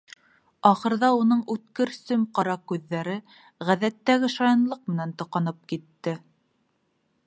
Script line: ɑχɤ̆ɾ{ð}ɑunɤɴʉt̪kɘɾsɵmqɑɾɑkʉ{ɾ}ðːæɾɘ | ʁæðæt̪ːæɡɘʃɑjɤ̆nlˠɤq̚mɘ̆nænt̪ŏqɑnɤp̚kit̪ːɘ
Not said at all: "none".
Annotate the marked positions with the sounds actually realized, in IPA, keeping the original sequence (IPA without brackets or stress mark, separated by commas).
ð, none